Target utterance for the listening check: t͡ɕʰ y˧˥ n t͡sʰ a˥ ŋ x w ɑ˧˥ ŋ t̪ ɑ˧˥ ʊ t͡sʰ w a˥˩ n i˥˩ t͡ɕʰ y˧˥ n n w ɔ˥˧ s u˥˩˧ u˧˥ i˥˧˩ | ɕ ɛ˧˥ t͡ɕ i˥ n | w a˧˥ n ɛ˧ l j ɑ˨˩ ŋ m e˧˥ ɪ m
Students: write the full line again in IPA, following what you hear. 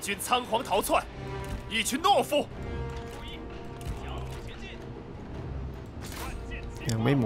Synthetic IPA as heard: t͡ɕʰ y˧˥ n t͡sʰ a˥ ŋ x w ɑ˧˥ ŋ t̪ʰ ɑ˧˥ ʊ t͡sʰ w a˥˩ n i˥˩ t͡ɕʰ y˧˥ n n w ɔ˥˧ f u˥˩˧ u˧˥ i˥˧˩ | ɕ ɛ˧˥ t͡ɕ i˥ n | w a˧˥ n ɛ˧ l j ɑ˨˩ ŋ m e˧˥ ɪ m